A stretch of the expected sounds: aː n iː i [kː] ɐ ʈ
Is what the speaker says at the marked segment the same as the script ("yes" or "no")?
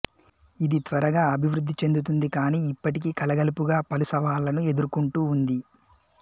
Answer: no